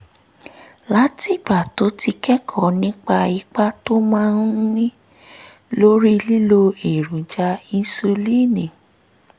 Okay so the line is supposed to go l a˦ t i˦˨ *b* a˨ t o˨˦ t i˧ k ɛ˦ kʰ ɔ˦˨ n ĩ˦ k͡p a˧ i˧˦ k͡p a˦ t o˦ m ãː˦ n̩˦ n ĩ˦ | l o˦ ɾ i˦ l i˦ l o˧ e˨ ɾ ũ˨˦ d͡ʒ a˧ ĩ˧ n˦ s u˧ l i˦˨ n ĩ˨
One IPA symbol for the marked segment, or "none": b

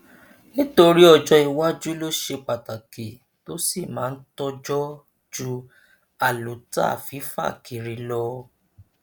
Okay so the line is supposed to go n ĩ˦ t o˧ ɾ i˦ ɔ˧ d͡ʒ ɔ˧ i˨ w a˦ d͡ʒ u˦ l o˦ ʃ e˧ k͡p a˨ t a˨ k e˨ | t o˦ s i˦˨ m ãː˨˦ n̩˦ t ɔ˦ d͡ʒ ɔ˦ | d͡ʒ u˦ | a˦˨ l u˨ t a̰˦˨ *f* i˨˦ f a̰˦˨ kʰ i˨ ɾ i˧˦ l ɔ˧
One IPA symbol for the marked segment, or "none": f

